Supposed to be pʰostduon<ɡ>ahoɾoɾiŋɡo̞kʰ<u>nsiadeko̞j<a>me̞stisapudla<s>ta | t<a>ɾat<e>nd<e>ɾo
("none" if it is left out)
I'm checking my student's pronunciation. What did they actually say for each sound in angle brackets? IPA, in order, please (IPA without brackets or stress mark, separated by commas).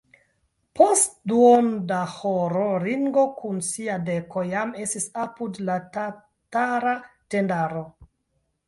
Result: d, u, a, none, a, e, a